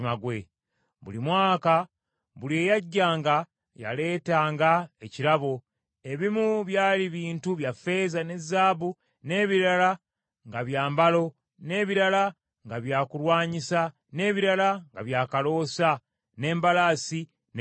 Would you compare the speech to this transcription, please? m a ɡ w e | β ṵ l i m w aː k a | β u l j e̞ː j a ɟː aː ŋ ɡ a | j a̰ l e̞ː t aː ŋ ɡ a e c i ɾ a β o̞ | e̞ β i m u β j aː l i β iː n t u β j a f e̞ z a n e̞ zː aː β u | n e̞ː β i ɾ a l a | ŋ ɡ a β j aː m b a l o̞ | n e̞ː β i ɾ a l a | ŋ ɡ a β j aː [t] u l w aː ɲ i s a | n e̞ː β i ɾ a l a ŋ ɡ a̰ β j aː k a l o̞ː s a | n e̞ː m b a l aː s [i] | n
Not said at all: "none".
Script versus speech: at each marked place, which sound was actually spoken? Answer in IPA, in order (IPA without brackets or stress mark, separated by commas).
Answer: k, i